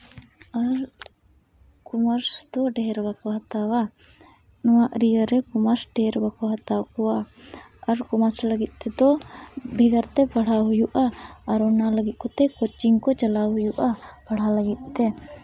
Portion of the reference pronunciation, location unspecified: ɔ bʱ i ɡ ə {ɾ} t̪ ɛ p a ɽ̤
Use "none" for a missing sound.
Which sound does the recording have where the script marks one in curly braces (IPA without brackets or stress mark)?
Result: ɾ